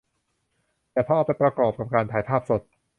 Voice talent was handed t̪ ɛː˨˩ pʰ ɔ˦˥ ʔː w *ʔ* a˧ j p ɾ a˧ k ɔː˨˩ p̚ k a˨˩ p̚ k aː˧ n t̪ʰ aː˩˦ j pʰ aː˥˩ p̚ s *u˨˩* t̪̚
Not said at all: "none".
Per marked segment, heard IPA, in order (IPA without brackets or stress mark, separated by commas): p, o˨˩